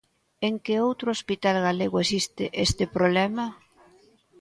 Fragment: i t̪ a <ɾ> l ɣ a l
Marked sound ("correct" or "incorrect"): incorrect